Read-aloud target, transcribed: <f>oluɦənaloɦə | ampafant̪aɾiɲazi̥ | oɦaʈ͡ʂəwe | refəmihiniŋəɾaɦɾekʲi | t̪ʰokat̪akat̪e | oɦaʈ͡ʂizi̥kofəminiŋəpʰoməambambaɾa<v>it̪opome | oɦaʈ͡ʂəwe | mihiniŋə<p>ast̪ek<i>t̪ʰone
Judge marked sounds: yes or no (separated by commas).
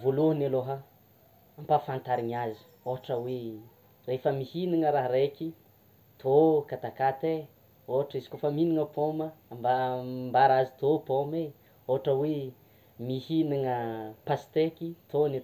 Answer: no, no, yes, yes